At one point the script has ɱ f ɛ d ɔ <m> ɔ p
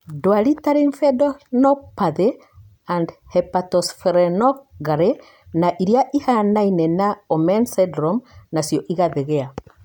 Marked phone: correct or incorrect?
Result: incorrect